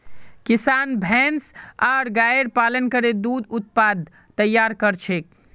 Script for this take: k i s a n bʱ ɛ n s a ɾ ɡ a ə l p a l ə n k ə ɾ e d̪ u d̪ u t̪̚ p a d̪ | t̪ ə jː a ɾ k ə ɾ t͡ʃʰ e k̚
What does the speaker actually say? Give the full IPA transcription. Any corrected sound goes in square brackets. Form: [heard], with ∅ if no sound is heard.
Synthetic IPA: k i s a n bʱ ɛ n s a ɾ ɡ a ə [ɾ] p a l ə n k ə ɾ e d̪ u d̪ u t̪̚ p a d̪ | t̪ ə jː a ɾ k ə ɾ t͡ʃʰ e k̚